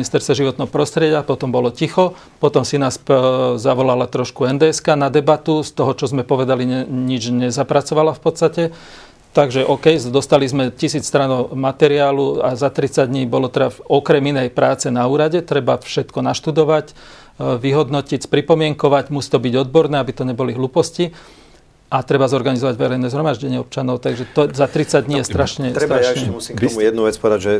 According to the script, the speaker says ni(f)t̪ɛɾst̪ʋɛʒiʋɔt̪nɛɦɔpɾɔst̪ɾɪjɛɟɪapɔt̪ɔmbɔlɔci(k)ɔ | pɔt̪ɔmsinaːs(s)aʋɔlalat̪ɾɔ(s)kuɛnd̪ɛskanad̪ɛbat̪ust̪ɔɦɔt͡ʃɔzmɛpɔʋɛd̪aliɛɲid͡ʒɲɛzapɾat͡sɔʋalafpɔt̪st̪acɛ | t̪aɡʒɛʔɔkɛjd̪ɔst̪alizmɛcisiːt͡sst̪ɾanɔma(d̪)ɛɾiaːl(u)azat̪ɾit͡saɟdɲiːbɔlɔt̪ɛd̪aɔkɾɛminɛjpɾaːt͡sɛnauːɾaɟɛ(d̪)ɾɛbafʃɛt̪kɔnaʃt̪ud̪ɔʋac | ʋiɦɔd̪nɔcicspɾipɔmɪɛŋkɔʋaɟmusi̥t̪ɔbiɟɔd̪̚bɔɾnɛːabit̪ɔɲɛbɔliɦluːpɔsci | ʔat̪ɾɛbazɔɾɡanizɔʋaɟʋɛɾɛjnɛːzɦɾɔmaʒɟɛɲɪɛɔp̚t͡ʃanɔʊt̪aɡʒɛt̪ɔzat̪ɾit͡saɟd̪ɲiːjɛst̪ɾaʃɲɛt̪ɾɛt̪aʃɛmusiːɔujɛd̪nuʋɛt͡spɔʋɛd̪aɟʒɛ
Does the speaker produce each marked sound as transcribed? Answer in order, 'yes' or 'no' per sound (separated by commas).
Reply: no, no, no, no, no, yes, no